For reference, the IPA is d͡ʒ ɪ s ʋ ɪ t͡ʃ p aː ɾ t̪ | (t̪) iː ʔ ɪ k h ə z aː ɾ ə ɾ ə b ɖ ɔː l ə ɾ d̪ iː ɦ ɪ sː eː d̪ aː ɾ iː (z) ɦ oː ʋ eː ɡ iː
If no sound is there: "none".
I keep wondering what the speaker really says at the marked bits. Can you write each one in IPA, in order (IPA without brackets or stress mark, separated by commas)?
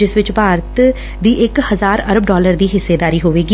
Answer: d̪, none